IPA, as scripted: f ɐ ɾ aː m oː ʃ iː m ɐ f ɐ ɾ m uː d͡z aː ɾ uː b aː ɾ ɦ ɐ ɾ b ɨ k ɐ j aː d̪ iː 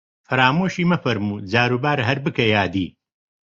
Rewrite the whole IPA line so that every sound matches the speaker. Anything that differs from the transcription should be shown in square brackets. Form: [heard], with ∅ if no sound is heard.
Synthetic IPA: f ɐ ɾ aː m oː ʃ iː m ɐ f ɐ ɾ m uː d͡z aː ɾ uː b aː ɾ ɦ ɐ ɾ b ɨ k ɐ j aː d̪ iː